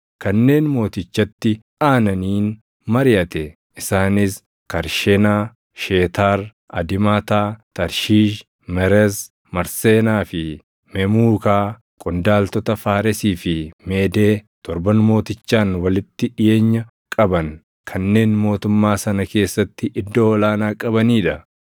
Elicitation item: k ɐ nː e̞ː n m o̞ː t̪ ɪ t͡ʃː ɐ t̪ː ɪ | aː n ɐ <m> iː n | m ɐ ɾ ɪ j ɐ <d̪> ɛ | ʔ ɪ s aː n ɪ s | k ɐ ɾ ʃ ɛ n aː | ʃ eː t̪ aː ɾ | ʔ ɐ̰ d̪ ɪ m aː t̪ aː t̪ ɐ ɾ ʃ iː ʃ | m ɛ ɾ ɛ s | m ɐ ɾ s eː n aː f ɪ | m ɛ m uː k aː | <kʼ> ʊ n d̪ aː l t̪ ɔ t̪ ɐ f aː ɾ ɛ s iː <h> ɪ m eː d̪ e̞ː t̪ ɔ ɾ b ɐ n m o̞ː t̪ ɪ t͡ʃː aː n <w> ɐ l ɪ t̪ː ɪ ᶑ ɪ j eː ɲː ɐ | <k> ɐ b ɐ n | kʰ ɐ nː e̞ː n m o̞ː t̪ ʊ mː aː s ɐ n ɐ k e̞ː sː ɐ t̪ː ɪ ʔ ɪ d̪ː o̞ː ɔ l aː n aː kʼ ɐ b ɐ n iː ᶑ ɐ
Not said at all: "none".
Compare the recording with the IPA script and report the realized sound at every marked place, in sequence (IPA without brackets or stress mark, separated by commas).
n, t̪, kʼ, f, w, kʼ